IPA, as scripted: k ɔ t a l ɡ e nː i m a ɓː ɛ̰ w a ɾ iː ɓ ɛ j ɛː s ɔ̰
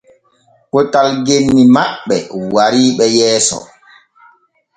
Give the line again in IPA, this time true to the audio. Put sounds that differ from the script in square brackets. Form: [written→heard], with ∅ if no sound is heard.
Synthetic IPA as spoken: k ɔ t a l ɡ e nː i m a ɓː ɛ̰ w a ɾ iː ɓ ɛ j ɛː s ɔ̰